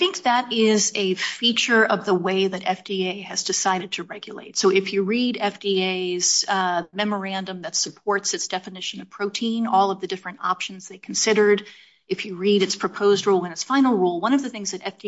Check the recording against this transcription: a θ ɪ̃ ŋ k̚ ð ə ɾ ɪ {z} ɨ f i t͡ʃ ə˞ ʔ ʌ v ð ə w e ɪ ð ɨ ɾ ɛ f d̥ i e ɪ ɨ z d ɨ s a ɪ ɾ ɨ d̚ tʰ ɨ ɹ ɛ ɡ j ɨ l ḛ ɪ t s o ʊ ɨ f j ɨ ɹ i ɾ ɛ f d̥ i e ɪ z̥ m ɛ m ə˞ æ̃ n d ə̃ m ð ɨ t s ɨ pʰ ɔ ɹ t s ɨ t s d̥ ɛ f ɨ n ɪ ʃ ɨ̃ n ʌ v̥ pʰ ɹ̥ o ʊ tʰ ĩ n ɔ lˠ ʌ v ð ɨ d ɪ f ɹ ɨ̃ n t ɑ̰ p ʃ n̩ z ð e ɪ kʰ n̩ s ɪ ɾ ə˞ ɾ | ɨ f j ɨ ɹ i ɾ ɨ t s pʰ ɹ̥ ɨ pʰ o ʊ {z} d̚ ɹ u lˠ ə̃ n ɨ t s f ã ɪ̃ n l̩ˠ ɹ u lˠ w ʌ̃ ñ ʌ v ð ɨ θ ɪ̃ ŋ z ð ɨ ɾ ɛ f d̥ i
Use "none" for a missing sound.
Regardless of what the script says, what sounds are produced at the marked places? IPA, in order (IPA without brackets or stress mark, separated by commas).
z, z